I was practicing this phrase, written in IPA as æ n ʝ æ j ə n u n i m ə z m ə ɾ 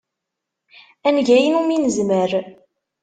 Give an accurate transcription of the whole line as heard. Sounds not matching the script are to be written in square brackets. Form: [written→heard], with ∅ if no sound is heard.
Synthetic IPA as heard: æ n ʝ æ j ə n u [n→m] i [m→n] ə z m ə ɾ